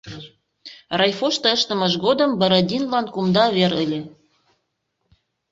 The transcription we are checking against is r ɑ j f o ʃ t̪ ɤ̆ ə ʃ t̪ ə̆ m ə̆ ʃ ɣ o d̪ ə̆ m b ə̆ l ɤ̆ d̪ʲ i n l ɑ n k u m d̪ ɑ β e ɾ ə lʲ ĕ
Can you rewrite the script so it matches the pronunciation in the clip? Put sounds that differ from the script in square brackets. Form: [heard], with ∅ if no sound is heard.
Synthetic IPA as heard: r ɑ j f o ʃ t̪ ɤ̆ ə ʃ t̪ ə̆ m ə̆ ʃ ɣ o d̪ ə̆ m b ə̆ [ɾ] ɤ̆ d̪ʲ i n l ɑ n k u m d̪ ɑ β e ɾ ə lʲ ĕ